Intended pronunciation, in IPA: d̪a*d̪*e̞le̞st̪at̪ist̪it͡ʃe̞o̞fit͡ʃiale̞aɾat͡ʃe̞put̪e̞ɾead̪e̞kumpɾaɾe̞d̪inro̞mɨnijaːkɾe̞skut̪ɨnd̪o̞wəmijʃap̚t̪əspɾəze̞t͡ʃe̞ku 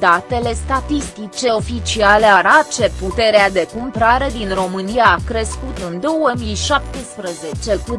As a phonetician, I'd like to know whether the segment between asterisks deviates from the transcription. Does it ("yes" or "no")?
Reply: yes